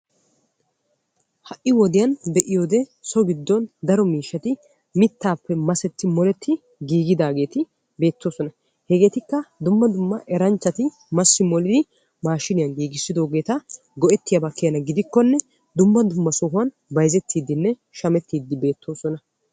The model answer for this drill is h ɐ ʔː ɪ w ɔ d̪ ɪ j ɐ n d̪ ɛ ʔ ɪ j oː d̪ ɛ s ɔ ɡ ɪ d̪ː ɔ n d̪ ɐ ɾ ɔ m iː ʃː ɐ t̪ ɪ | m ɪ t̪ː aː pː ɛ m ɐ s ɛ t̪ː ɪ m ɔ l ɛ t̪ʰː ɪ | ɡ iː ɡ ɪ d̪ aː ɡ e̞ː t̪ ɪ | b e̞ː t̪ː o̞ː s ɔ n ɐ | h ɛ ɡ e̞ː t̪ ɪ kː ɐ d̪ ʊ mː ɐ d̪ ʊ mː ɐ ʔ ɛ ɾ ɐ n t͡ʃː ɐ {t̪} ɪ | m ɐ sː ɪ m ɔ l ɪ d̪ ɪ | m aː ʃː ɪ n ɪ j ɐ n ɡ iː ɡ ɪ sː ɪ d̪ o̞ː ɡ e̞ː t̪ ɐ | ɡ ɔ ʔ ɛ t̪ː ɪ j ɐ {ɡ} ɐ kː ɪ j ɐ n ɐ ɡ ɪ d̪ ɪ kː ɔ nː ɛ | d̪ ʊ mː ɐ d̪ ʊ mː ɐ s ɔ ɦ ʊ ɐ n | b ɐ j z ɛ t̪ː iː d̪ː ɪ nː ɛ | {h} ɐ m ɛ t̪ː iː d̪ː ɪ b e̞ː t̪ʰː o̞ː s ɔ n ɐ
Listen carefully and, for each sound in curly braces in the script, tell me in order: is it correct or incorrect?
correct, incorrect, incorrect

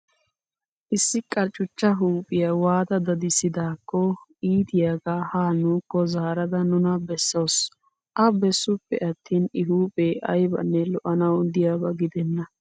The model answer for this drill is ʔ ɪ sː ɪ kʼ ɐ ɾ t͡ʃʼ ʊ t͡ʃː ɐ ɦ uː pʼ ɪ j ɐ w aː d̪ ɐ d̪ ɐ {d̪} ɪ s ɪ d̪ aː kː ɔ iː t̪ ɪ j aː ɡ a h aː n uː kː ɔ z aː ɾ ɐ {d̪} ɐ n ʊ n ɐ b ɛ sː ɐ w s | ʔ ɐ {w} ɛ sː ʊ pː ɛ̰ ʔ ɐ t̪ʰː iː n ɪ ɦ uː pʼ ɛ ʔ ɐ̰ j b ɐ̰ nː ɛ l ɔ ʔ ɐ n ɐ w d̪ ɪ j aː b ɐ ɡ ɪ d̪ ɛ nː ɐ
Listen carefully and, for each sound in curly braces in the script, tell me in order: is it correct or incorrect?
correct, correct, incorrect

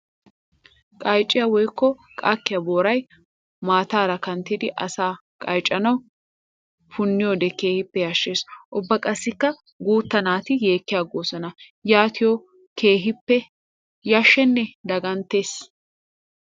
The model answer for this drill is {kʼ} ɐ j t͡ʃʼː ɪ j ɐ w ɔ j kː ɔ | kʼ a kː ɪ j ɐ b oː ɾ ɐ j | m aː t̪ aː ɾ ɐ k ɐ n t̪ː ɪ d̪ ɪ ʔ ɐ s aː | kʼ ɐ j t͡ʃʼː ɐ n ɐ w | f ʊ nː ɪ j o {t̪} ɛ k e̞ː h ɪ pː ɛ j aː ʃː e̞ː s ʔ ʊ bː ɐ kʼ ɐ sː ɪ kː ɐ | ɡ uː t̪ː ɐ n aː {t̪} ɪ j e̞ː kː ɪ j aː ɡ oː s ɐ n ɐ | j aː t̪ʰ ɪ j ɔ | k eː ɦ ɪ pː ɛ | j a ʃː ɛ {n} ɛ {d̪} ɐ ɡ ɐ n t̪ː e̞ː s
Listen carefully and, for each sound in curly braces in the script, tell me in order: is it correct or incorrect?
correct, incorrect, correct, incorrect, correct

